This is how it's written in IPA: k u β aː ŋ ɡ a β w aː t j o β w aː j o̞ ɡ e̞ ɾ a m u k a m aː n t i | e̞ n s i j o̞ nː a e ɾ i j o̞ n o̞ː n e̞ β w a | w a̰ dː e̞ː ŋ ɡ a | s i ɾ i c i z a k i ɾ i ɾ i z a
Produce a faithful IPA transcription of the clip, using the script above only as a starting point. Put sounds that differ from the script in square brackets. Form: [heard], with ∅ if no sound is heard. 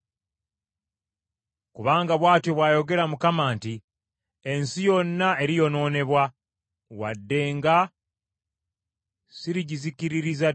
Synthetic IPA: k u β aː ŋ ɡ a β w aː t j o β w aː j o̞ ɡ e̞ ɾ a m u k a m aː n t i | e̞ n s i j o̞ nː a e ɾ i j o̞ n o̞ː n e̞ β w a | w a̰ dː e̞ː ŋ ɡ a | s i ɾ i [ɟ] i z [i] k i ɾ i ɾ i z a